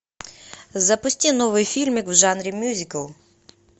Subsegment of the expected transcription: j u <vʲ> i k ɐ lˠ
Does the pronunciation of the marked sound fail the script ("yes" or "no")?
yes